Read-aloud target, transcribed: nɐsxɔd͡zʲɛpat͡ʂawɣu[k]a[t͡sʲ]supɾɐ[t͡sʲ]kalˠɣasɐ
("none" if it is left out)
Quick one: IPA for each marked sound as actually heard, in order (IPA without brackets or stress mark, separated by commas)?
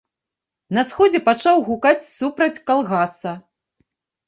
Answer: k, t͡sʲ, t͡sʲ